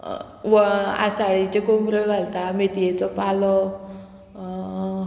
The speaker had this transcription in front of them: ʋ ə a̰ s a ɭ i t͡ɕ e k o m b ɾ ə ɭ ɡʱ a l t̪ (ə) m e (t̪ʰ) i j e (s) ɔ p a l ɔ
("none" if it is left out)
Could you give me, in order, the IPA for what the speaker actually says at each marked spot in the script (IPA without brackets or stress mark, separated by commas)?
a, t̪, t͡s